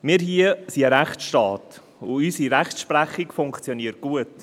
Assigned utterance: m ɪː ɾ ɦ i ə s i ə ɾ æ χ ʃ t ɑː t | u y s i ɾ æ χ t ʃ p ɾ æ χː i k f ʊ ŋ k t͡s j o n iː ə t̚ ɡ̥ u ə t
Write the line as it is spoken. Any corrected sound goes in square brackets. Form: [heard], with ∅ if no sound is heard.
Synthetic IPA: m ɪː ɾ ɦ i ə s i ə ɾ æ χ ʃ t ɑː t | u y s i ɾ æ χ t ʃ p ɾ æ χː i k f ʊ ŋ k t͡s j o n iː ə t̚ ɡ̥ u ə t